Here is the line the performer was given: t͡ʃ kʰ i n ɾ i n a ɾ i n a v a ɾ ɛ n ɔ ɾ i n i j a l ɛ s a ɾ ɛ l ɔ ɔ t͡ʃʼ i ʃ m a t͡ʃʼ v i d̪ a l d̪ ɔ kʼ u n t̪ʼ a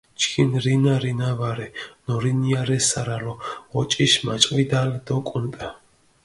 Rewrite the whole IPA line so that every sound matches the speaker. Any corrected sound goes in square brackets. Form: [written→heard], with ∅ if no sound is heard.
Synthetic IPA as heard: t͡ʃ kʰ i n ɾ i n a ɾ i n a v a ɾ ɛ n ɔ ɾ i n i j a [l→ɾ] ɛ s a ɾ [ɛ→a] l ɔ ɔ t͡ʃʼ i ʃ m a t͡ʃʼ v i d̪ a l d̪ ɔ kʼ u n t̪ʼ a